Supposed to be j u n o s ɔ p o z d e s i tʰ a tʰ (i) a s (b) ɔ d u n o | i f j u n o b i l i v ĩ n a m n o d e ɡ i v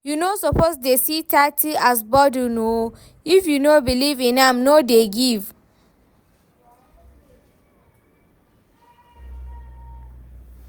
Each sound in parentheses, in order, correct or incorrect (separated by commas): correct, correct